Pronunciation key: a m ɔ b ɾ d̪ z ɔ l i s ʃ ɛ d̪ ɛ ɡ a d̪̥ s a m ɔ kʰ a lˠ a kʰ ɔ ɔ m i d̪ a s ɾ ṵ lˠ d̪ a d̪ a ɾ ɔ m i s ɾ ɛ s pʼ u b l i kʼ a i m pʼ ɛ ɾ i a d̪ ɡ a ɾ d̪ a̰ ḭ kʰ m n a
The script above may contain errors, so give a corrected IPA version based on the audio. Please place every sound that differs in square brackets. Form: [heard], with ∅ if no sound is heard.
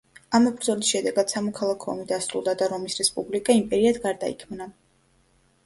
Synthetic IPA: a m ɔ b ɾ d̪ z ɔ l i s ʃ ɛ d̪ ɛ ɡ a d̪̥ s a m ɔ kʰ a lˠ a kʰ ɔ ɔ m i d̪ a s ɾ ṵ lˠ d̪ a d̪ a ɾ ɔ m i s ɾ ɛ s pʼ u b l i kʼ a i m pʼ ɛ ɾ i a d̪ ɡ a ɾ d̪ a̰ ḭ kʰ m n a